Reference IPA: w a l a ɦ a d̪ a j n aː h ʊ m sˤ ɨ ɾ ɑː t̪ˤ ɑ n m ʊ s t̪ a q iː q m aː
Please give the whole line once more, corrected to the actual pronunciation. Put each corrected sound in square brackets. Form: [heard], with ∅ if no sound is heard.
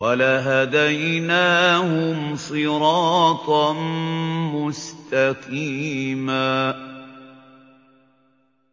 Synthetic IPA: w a l a ɦ a d̪ a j n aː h ʊ m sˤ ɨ ɾ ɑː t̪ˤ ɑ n m ʊ s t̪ a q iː [∅] m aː